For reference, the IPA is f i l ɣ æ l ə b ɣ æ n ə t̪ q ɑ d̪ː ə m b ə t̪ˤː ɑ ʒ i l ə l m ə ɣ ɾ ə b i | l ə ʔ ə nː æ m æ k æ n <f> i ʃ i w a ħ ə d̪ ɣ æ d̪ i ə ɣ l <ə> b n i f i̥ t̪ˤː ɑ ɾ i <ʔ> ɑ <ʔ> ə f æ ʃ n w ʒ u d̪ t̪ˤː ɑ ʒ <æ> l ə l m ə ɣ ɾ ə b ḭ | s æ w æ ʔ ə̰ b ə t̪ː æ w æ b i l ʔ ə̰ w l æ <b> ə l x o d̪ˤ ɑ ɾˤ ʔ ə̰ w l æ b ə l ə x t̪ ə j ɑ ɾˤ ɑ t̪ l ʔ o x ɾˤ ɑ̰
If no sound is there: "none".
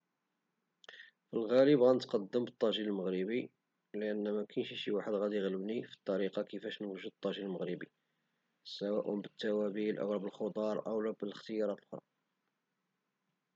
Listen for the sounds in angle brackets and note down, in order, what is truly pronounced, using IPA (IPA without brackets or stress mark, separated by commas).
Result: ʃ, ə, q, k, i, b